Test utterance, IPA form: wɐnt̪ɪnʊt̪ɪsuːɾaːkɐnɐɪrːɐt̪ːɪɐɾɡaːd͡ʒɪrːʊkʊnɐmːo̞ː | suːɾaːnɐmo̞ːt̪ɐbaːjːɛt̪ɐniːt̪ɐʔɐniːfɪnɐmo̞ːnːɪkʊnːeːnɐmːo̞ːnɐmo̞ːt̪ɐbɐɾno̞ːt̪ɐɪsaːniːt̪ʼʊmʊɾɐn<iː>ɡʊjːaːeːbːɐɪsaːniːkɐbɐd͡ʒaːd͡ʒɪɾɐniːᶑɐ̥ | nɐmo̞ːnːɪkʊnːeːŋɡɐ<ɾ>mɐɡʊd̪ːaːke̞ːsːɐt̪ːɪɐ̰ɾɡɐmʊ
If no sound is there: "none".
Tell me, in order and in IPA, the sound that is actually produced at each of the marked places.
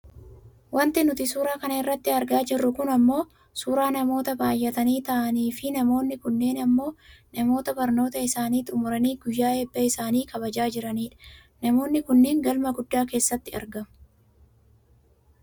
iː, l

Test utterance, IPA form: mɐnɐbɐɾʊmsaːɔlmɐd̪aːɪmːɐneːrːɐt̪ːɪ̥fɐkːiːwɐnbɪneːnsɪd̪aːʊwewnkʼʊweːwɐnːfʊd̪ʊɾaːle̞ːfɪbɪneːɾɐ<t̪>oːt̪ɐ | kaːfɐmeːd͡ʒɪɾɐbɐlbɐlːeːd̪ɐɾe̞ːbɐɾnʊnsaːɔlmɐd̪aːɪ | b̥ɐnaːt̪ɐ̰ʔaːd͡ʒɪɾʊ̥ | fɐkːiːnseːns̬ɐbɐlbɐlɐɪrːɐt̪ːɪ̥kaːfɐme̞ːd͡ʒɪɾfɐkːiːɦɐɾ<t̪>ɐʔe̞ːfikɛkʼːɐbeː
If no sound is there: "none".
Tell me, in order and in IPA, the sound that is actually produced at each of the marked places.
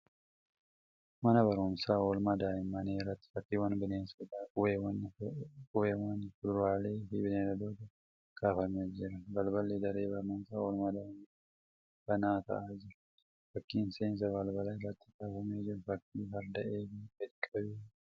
d̪, d̪

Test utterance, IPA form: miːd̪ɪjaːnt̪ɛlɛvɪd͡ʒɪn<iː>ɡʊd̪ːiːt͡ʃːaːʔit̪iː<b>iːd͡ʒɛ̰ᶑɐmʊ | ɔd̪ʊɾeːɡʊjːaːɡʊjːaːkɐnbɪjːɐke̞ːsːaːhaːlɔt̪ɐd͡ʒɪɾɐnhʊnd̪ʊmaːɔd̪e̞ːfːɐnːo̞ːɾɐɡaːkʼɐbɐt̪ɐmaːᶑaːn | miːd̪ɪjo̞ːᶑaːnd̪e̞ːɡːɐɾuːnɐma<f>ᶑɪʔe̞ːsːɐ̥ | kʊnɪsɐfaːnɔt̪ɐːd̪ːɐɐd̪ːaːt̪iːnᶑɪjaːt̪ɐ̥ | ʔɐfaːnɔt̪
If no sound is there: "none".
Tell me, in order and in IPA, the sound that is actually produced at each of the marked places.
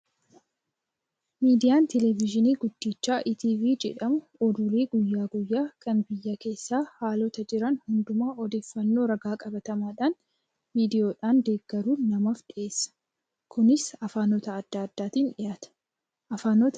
iː, v, f

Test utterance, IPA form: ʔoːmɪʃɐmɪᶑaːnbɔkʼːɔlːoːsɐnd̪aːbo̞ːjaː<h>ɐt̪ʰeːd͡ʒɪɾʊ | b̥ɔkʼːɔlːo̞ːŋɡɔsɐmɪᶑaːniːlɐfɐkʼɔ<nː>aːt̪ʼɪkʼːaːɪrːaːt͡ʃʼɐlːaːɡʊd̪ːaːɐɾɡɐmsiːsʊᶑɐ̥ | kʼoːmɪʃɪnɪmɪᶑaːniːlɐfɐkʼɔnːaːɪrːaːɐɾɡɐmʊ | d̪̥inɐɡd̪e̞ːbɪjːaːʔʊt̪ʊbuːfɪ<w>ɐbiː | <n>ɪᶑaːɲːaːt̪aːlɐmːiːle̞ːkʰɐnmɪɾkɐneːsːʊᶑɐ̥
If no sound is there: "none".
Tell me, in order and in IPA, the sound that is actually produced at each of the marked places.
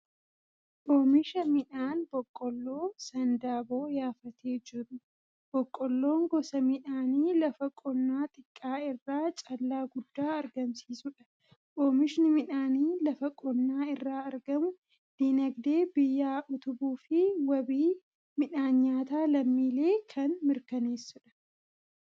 f, nː, w, m

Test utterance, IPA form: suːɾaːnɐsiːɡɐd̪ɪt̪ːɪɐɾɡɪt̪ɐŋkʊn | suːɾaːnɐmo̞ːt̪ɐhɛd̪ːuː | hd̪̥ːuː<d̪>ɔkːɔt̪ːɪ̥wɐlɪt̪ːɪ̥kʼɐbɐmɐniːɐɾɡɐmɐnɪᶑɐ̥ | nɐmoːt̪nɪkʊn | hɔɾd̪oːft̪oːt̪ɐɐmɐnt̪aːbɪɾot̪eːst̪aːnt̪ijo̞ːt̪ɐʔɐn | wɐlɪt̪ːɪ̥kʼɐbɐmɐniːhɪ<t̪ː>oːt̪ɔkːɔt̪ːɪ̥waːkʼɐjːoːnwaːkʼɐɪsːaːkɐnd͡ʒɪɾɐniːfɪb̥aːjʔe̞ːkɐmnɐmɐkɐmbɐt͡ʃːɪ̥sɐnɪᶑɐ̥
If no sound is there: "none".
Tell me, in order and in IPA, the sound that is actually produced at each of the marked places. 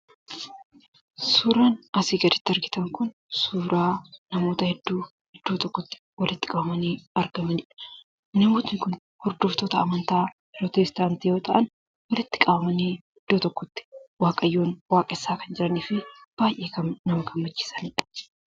t̪, d̪ː

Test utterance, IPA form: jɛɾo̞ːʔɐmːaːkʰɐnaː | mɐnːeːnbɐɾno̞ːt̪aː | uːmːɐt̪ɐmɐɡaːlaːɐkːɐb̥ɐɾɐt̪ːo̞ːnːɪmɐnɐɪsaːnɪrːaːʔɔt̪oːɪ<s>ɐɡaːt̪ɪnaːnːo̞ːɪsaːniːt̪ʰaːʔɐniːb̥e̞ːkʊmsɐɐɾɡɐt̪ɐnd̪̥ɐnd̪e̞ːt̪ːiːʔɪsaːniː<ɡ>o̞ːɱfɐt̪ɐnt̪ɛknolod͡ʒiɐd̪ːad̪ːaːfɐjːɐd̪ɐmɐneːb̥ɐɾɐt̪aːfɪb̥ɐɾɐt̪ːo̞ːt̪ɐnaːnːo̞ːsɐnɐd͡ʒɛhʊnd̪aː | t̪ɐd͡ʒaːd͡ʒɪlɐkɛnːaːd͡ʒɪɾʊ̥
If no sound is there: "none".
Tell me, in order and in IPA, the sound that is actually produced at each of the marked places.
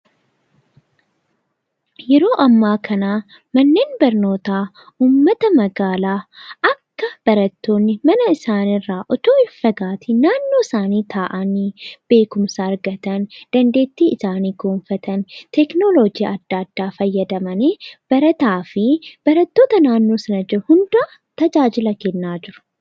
f, ɡ

